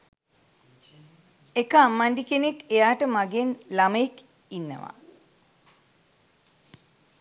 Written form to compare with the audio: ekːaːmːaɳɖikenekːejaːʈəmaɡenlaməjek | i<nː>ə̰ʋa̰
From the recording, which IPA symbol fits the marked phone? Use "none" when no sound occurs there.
nː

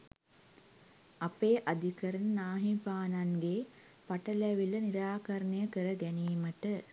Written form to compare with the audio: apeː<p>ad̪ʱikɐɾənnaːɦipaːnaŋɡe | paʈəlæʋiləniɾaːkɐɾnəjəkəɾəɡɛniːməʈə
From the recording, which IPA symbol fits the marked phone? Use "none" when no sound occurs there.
ʔ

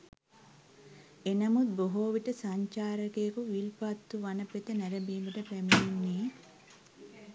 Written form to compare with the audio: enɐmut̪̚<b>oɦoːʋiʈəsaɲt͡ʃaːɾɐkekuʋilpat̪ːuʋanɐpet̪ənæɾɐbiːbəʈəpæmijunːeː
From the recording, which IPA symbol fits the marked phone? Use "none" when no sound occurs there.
b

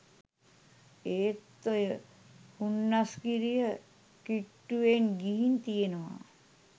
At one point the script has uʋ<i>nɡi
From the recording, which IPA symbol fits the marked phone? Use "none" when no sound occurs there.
e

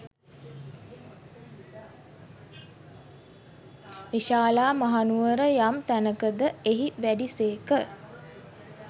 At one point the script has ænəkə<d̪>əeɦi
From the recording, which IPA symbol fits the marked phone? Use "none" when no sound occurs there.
d̪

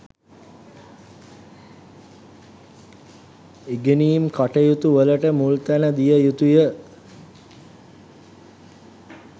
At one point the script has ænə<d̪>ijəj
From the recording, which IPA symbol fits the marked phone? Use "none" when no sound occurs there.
d̪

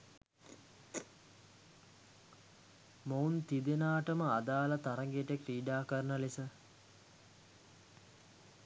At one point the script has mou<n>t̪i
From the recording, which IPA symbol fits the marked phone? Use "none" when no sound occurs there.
n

